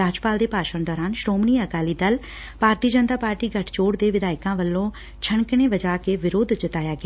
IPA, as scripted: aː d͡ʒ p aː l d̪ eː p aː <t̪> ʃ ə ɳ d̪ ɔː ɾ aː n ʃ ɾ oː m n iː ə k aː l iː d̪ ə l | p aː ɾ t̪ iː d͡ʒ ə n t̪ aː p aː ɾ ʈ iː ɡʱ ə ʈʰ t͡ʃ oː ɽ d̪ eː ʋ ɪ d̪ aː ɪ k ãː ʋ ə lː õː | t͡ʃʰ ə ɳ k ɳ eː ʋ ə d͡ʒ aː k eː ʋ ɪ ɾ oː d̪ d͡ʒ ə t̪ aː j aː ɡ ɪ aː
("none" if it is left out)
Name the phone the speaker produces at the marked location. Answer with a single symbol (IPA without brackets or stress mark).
none